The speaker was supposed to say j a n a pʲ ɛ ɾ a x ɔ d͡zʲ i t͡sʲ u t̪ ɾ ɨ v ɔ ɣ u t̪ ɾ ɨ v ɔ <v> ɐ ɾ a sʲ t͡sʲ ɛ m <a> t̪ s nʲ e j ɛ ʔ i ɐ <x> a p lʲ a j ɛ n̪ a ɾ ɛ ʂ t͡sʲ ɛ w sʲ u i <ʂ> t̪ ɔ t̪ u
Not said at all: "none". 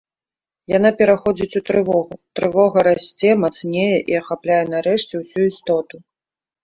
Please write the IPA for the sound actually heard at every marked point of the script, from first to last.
ɣ, a, x, s

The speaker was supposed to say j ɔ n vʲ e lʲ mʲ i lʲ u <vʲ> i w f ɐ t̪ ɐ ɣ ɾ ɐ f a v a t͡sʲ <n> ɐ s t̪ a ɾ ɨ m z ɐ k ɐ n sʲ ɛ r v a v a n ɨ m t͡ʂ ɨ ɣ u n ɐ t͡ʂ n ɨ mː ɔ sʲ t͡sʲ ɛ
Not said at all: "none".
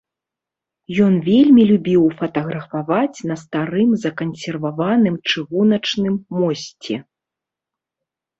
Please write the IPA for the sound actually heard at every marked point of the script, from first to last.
bʲ, n

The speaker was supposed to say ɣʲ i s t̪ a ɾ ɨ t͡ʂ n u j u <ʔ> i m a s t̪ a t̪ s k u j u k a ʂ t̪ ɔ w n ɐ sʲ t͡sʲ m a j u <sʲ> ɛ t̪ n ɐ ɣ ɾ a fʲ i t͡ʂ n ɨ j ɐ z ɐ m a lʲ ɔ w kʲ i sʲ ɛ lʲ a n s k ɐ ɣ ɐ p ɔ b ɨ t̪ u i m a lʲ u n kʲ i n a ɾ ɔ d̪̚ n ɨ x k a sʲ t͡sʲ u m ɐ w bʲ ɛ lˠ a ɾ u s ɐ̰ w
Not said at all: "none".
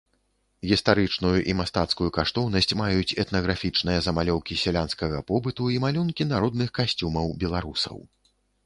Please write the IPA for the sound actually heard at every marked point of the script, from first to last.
ʔ, t͡sʲ

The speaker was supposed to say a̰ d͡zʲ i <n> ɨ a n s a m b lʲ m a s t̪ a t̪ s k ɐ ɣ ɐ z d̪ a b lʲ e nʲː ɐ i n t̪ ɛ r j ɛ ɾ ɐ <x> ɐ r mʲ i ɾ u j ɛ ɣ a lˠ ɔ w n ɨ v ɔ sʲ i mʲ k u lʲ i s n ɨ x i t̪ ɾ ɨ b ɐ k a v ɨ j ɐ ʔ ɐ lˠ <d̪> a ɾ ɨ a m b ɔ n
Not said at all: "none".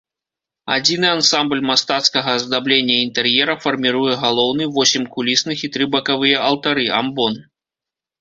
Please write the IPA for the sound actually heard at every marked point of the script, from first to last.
n, f, t̪

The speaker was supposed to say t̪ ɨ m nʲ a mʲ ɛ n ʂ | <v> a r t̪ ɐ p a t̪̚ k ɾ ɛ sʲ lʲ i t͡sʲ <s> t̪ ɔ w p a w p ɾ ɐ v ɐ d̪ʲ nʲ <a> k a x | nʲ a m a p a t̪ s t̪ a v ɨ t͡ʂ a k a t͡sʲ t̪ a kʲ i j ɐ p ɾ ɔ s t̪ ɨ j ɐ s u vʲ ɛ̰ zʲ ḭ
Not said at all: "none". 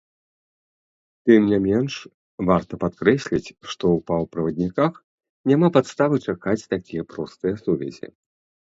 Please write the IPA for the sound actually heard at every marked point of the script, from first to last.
v, ʂ, i

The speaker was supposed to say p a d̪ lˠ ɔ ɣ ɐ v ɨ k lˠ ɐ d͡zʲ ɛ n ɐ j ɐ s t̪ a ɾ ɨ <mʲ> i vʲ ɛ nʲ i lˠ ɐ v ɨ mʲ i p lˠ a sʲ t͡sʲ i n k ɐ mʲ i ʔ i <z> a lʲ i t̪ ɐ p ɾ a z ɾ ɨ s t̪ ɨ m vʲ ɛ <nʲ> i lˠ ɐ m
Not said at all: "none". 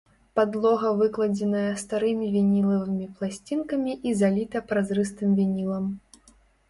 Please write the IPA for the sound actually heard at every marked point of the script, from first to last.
mʲ, z, nʲ

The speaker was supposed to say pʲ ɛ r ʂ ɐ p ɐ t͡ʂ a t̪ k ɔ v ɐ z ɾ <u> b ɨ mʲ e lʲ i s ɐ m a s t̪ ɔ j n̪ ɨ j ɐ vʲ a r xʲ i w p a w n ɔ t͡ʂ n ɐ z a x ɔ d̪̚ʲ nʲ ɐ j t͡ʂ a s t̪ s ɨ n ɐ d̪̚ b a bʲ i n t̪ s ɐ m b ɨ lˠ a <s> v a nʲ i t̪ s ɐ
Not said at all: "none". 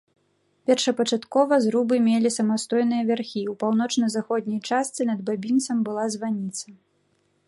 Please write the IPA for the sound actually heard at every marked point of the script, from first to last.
u, z

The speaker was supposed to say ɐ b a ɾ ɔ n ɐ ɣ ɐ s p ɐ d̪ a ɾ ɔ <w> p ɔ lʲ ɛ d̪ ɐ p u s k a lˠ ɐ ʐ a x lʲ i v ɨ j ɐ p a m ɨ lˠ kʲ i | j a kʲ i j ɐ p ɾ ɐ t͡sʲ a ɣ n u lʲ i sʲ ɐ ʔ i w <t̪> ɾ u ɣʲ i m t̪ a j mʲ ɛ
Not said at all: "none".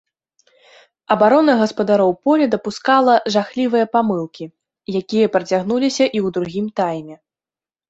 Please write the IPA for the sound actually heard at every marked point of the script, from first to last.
w, d̪

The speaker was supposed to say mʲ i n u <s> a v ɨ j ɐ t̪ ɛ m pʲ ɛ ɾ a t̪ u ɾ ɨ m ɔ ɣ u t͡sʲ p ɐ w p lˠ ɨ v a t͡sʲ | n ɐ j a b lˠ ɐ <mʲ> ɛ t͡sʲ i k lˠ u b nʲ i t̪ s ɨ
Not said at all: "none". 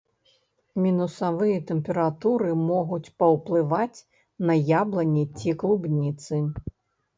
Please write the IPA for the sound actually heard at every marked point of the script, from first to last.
s, nʲ

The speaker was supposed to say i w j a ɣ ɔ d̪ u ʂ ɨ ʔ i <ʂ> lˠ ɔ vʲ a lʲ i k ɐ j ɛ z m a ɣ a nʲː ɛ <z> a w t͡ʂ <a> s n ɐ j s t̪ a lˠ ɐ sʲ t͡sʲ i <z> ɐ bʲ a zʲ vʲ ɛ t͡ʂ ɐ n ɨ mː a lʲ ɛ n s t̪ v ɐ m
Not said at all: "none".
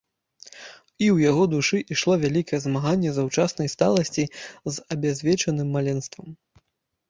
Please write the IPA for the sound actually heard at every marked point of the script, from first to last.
ʂ, z, a, z

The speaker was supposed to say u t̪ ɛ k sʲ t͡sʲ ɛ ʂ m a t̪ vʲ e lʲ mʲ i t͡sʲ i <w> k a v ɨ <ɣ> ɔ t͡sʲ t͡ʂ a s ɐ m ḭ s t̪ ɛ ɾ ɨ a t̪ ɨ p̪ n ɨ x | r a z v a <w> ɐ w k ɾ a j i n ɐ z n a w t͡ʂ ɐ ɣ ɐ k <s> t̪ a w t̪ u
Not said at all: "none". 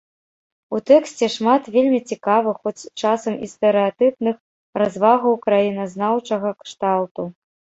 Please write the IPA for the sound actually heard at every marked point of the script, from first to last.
none, x, ɣ, ʂ

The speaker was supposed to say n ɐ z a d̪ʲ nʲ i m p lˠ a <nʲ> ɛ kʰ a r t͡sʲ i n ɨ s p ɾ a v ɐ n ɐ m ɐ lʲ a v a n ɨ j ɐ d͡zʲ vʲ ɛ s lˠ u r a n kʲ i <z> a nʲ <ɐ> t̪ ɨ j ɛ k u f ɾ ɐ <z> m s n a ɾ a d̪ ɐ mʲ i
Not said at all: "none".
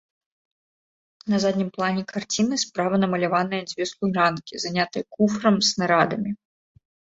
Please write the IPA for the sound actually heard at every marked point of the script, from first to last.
nʲ, z, a, none

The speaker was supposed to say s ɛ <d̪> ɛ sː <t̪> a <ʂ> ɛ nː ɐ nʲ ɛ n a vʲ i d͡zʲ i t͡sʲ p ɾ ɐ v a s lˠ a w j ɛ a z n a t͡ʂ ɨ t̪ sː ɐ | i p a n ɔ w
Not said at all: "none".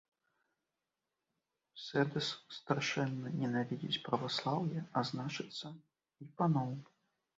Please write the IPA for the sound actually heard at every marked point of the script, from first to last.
d̪, t̪, ʂ

